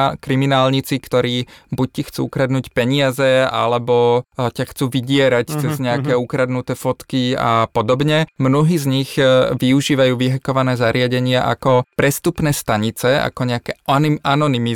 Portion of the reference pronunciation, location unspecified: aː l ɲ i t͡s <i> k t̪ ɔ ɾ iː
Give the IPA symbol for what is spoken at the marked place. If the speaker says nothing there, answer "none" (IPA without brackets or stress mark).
i